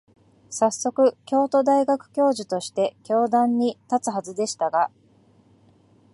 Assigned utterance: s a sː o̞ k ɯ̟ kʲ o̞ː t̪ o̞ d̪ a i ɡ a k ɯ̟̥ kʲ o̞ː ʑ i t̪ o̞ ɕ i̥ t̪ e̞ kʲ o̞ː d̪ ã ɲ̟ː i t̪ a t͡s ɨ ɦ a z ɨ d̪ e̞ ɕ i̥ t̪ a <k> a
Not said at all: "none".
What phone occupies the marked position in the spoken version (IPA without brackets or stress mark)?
ɡ